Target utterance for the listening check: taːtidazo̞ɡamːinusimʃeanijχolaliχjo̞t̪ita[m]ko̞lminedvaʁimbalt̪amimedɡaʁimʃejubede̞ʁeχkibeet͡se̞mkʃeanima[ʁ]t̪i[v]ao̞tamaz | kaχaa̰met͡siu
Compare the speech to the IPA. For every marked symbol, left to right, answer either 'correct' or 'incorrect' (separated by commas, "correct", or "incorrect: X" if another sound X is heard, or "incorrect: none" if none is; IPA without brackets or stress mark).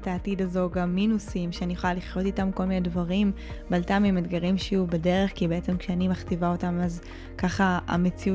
correct, incorrect: χ, correct